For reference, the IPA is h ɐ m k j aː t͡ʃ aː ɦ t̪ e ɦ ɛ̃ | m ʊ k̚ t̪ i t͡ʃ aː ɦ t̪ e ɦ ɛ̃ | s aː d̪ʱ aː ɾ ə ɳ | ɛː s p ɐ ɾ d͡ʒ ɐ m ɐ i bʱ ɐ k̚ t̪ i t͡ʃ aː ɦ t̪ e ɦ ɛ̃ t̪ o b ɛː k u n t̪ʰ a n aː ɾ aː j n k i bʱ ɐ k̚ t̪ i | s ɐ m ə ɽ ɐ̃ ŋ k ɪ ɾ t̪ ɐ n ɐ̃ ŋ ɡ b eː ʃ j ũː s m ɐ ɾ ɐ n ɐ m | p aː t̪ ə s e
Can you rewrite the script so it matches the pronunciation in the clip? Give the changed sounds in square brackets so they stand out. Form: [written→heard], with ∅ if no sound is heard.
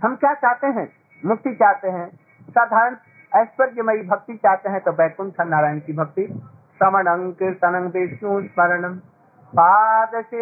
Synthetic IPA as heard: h ɐ m k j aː t͡ʃ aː ɦ t̪ e ɦ ɛ̃ | m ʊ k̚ t̪ i t͡ʃ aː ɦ t̪ e ɦ ɛ̃ | s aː d̪ʱ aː ɾ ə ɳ | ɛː s p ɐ ɾ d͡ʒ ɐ m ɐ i bʱ ɐ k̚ t̪ i t͡ʃ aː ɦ t̪ e ɦ ɛ̃ t̪ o b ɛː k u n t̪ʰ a n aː ɾ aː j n k i bʱ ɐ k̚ t̪ i | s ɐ m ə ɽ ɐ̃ ŋ k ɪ ɾ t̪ ɐ n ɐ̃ ŋ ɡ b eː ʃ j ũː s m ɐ ɾ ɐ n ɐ m | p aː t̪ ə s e